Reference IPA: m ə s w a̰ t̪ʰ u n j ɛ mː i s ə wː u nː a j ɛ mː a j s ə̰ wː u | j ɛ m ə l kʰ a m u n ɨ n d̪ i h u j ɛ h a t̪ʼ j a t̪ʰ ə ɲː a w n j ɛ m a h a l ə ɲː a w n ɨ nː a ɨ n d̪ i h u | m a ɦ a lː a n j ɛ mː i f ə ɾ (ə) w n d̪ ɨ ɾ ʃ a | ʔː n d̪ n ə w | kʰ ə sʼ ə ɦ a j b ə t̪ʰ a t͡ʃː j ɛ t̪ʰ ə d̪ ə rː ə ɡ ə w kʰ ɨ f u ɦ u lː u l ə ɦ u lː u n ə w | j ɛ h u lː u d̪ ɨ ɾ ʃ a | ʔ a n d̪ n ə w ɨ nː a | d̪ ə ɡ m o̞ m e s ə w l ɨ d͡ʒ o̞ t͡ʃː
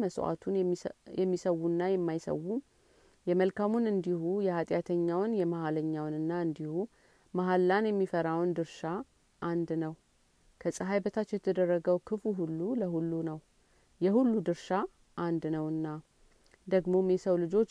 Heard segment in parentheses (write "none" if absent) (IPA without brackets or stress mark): a